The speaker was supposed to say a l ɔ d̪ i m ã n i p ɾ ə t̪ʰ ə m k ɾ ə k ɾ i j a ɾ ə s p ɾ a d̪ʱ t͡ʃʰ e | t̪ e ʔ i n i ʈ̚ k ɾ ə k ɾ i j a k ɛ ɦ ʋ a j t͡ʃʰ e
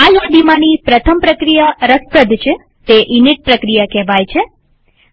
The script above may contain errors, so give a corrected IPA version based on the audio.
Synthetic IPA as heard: a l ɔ d̪ i m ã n i p ɾ ə t̪ʰ ə m p ɾ ə k ɾ i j a ɾ ə s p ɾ ə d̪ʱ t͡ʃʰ e | t̪ e ʔ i n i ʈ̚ p ɾ ə k ɾ i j a k ɛ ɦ ʋ a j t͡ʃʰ e